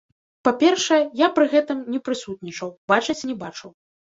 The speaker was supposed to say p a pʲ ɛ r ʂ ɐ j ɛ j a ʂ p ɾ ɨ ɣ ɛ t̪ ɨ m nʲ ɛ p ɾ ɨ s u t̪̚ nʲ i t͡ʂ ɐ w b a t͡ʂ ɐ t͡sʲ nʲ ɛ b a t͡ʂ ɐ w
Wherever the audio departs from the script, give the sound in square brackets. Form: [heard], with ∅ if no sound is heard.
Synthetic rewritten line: p a pʲ ɛ r ʂ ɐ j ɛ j a [∅] p ɾ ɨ ɣ ɛ t̪ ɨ m nʲ ɛ p ɾ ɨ s u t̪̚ nʲ i t͡ʂ ɐ w b a t͡ʂ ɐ t͡sʲ nʲ ɛ b a t͡ʂ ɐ w